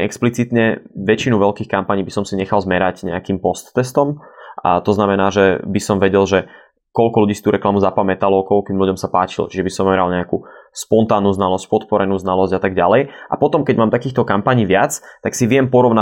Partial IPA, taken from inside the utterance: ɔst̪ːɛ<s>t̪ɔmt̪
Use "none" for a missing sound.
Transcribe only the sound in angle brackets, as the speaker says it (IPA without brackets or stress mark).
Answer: s